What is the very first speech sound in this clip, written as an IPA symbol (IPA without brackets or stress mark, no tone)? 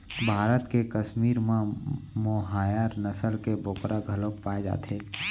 bʱ